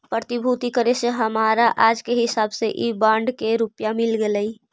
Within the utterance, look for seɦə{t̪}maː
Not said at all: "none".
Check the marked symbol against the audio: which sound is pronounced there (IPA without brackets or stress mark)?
none